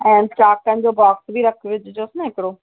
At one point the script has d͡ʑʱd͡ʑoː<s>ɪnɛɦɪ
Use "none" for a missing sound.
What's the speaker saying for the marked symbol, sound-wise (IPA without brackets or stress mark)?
s